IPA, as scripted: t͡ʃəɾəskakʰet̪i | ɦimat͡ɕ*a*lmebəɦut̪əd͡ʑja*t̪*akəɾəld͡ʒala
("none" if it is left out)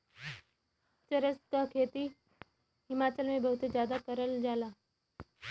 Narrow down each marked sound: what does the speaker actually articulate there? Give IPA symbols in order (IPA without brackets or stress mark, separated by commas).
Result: ə, d̪